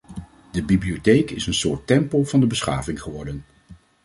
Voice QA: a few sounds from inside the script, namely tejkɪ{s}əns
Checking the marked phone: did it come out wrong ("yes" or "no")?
no